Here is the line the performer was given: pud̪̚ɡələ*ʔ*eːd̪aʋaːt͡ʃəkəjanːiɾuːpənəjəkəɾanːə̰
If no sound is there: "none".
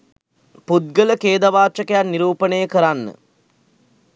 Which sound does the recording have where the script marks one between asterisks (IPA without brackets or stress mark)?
k